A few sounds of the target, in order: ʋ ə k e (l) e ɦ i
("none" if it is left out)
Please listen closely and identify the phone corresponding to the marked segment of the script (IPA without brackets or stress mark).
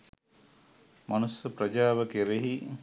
ɾ